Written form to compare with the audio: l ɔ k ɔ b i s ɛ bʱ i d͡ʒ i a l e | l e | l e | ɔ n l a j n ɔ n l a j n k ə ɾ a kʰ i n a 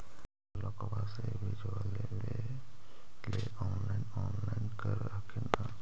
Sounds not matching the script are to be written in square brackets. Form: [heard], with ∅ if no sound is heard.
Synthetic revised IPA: l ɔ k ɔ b [a] s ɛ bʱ i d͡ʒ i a l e | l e | l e | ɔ n l a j n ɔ n l a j n k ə ɾ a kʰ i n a